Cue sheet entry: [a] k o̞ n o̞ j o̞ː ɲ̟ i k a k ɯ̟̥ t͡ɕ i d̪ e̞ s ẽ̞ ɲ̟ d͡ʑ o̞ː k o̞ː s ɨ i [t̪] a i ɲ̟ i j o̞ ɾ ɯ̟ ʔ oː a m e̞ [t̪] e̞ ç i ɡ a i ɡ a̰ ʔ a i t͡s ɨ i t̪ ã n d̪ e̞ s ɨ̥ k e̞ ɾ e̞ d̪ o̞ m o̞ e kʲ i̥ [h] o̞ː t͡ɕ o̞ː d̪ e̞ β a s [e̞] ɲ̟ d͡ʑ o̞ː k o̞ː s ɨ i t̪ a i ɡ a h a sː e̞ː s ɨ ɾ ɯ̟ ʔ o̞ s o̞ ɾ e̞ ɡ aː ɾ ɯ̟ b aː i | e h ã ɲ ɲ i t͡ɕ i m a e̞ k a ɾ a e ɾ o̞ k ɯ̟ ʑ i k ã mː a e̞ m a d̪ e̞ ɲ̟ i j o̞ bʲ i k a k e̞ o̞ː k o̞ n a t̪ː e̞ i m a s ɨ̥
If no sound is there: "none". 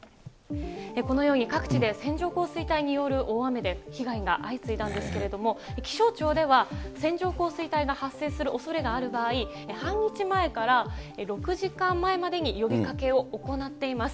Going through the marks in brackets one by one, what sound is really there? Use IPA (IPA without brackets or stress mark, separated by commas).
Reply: e, t̪, d̪, ɕ, ẽ̞